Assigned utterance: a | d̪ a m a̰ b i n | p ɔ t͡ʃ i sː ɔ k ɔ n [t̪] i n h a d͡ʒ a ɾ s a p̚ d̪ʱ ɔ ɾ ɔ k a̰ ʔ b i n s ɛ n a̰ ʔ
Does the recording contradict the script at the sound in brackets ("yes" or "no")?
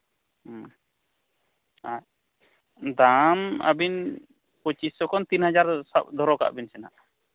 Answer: no